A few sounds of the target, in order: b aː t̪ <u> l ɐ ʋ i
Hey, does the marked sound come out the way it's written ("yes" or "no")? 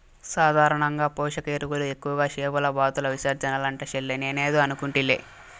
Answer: yes